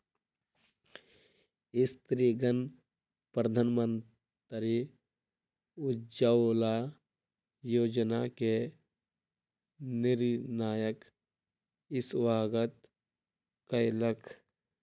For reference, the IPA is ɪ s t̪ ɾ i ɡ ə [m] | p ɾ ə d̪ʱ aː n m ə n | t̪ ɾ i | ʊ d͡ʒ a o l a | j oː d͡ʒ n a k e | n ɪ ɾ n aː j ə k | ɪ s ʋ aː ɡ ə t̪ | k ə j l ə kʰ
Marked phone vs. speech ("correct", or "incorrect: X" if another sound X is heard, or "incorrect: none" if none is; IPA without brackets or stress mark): incorrect: n